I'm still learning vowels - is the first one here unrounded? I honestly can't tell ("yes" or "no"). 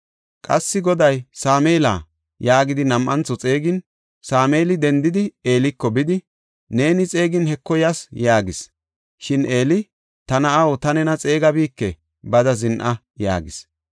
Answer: yes